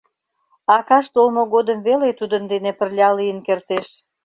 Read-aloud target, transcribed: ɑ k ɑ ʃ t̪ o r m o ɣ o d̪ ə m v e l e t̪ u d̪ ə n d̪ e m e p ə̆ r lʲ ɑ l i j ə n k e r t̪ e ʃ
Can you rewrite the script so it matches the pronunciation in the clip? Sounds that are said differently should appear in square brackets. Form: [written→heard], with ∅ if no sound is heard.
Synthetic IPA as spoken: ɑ k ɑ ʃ t̪ o [r→l] m o ɣ o d̪ ə m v e l e t̪ u d̪ ə n d̪ e [m→n] e p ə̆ r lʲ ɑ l i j ə n k e r t̪ e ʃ